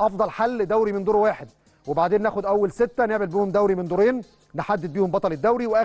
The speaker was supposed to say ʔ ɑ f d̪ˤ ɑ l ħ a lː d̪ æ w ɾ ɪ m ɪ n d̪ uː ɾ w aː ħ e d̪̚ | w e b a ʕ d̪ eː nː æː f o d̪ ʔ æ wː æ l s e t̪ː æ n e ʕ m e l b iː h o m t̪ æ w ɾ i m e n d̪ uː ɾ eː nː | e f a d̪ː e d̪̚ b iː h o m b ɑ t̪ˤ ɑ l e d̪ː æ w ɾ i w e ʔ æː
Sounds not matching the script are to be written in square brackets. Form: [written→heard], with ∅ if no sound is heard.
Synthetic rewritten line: ʔ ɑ f d̪ˤ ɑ l ħ a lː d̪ æ w ɾ [ɪ→i] m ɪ n d̪ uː ɾ w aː ħ e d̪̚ | w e b a ʕ d̪ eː nː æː [f→x] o d̪ ʔ æ wː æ l s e t̪ː æ n e ʕ m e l b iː h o m [t̪→d̪] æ w ɾ i m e n d̪ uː ɾ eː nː | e [f→ħ] a d̪ː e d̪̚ b iː h o m b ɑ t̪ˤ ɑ l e d̪ː æ w ɾ i w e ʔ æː